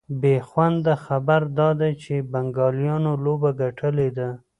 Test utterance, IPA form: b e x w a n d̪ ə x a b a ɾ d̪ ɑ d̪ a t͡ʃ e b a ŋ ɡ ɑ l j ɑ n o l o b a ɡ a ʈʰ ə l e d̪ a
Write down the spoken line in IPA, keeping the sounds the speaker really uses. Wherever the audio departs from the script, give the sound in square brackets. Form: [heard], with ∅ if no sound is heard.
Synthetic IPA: b e x w a n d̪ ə x a b a ɾ d̪ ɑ d̪ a t͡ʃ e b a ŋ ɡ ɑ l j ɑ n o l o b a ɡ a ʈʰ ə l e d̪ a